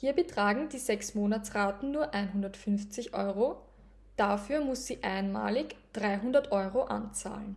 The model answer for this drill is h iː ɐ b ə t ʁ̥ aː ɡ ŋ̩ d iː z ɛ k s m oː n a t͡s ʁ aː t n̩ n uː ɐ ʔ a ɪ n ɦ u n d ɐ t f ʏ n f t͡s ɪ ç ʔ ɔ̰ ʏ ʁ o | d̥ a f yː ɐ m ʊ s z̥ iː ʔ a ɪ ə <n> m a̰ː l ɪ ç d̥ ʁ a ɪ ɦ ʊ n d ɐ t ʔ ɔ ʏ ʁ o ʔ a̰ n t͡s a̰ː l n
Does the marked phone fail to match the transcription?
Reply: no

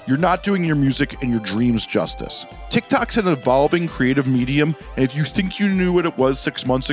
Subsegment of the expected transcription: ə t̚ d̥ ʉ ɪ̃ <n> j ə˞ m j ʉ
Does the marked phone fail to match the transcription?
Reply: yes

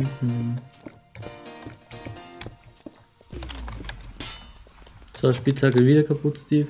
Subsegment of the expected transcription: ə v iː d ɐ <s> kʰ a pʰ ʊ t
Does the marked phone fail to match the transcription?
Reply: yes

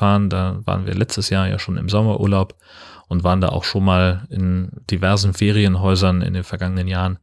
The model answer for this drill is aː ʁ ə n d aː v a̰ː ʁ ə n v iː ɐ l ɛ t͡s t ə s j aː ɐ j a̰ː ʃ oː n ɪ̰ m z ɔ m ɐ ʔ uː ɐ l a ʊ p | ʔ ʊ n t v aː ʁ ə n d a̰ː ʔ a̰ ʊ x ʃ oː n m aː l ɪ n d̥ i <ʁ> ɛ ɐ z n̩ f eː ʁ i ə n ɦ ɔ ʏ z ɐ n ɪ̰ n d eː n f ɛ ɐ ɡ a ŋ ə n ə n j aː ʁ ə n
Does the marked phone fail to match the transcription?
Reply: yes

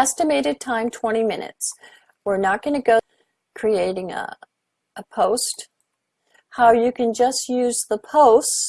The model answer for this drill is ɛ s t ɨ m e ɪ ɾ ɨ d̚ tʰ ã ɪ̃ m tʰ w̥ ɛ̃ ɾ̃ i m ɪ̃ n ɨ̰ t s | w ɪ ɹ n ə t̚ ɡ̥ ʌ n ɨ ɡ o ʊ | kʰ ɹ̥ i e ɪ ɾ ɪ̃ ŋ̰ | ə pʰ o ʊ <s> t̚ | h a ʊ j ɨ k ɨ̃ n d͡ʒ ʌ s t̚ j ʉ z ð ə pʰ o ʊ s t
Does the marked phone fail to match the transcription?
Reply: no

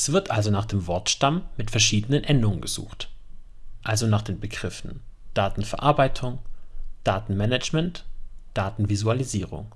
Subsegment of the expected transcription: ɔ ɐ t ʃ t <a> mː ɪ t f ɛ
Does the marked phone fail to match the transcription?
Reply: no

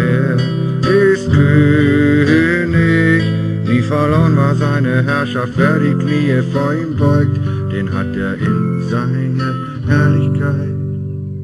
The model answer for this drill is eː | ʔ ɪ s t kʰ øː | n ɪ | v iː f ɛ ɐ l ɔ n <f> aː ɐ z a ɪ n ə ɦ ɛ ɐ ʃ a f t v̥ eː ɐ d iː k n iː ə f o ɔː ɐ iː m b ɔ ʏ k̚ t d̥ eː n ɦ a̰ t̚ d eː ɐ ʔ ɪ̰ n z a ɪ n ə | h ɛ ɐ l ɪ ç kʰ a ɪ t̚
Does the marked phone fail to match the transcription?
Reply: yes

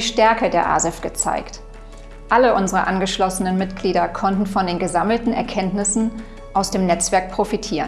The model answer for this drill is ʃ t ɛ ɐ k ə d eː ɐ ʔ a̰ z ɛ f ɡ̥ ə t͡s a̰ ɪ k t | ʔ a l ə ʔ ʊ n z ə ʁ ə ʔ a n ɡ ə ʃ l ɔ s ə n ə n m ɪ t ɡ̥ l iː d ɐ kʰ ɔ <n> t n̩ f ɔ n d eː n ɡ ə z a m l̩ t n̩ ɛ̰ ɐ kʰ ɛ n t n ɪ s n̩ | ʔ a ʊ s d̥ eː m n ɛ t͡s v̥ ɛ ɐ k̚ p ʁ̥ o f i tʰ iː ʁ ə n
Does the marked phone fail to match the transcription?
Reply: no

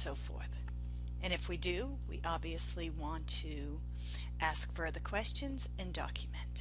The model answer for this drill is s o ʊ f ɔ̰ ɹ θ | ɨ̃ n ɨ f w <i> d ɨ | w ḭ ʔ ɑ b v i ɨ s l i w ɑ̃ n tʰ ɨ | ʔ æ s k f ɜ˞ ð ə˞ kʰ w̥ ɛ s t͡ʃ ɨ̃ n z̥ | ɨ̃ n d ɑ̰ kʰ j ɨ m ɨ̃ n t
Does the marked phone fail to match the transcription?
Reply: no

